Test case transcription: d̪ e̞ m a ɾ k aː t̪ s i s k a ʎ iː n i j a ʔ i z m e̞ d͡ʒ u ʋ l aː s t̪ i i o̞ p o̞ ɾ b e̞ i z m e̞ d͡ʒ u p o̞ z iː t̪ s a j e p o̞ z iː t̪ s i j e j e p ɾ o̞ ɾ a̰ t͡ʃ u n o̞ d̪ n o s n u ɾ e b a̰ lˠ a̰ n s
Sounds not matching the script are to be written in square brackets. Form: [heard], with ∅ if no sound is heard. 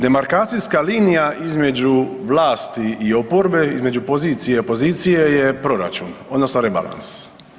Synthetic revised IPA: d̪ e̞ m a ɾ k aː t̪ s i s k a [l] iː n i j a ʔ i z m e̞ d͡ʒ u ʋ l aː s t̪ i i o̞ p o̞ ɾ b e̞ i z m e̞ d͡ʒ u p o̞ z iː t̪ s [i] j e p o̞ z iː t̪ s i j e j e p ɾ o̞ ɾ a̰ t͡ʃ u n o̞ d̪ n o s n [o] ɾ e b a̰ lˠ a̰ n s